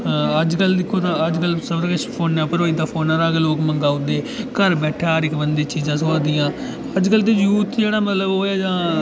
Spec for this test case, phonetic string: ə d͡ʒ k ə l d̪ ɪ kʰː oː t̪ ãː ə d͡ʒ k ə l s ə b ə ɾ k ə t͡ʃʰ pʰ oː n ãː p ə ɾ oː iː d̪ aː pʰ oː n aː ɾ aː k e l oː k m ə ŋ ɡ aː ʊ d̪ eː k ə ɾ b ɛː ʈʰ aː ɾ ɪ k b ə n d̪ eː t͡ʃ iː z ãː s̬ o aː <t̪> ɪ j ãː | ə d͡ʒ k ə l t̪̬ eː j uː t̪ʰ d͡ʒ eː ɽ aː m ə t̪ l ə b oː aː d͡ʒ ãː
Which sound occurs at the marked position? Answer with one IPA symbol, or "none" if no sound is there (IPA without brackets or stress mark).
d̪